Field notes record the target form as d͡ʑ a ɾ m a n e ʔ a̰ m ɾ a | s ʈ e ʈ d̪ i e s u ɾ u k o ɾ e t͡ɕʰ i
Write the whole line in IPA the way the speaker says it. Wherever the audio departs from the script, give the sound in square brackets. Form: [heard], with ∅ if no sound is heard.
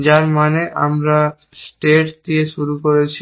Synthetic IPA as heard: d͡ʑ a ɾ m a n e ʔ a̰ m ɾ a | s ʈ e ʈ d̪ i e [ʃ] u ɾ u k o ɾ e t͡ɕʰ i